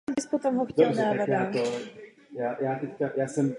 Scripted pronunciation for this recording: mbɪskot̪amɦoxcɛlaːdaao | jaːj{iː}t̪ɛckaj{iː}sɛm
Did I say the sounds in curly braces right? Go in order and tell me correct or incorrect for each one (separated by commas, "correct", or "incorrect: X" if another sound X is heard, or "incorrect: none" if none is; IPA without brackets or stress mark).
incorrect: aː, incorrect: aː